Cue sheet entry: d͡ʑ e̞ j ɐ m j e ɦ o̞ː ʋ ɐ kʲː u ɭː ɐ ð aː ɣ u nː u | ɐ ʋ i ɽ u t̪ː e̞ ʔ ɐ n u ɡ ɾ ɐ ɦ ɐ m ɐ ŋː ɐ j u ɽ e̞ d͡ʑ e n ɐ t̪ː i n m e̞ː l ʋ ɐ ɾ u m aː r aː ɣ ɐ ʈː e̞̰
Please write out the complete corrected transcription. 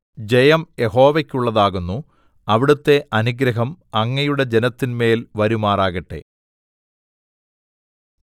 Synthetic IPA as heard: d͡ʑ e̞ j ɐ m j e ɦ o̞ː ʋ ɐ kʲː u ɭː ɐ ð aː ɣ u nː u | ɐ ʋ i ɽ u t̪ː e̞ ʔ ɐ n u ɡ ɾ ɐ ɦ ɐ m ɐ ŋː ɐ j u ɽ e̞ d͡ʑ e n ɐ t̪ː i n m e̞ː l ʋ ɐ ɾ u m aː r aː ɣ ɐ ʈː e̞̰

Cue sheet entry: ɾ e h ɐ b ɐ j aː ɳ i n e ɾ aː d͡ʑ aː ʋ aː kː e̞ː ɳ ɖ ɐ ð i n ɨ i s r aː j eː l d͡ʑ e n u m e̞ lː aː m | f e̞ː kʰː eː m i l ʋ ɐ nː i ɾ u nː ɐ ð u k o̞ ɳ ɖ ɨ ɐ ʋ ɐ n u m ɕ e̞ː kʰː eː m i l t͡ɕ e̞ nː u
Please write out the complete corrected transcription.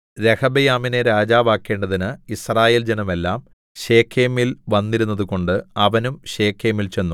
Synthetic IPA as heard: ɾ e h ɐ b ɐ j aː m i n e ɾ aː d͡ʑ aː ʋ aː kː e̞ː ɳ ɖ ɐ ð i n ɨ i s r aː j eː l d͡ʑ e n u m e̞ lː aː m | ɕ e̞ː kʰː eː m i l ʋ ɐ nː i ɾ u nː ɐ ð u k o̞ ɳ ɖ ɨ ɐ ʋ ɐ n u m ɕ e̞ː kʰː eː m i l t͡ɕ e̞ nː u

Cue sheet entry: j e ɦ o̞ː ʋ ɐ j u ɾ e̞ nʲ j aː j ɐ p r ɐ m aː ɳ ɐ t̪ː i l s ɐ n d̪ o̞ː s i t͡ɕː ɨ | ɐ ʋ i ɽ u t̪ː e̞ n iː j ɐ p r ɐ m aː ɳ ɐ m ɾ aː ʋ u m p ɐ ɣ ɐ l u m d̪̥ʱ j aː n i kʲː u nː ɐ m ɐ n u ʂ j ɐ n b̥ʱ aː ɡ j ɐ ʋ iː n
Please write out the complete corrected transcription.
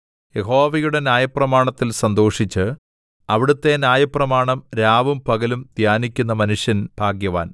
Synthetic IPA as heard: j e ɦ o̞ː ʋ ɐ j u ɽ e̞ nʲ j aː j ɐ p r ɐ m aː ɳ ɐ t̪ː i l s ɐ n d̪ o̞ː ʂ i t͡ɕː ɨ | ɐ ʋ i ɽ u t̪ː e̞ n aː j ɐ p r ɐ m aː ɳ ɐ m ɾ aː ʋ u m p ɐ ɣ ɐ l u m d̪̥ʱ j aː n i kʲː u nː ɐ m ɐ n u ʂ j ɐ n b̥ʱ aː ɡ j ɐ ʋ aː n

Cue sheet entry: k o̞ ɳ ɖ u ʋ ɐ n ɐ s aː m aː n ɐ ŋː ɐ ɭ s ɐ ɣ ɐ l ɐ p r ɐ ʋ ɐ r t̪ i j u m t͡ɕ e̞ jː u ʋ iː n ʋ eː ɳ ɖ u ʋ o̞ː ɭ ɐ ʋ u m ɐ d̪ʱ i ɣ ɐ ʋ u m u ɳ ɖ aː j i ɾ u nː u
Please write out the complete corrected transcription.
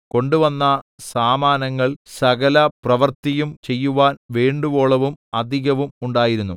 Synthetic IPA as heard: k o̞ ɳ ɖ u ʋ ɐ nː ɐ s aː m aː n ɐ ŋː ɐ ɭ s ɐ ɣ ɐ l ɐ p r ɐ ʋ ɐ r t̪ i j u m t͡ɕ e̞ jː u ʋ aː n ʋ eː ɳ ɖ u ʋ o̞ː ɭ ɐ ʋ u m ɐ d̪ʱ i ɣ ɐ ʋ u m u ɳ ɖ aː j i ɾ u nː u

